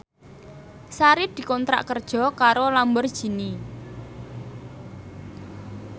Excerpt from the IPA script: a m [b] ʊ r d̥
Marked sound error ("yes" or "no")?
no